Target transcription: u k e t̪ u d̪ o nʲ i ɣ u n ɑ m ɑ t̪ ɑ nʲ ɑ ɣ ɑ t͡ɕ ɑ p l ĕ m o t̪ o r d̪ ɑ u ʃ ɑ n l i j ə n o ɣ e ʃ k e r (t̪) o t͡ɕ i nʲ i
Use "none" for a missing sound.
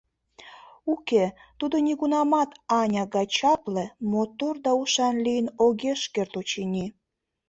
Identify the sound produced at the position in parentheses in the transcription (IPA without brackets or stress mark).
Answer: t̪